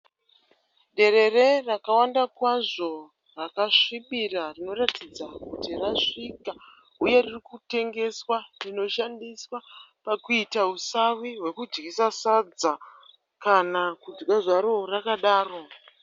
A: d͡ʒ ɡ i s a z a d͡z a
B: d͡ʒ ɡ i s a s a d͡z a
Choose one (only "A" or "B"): B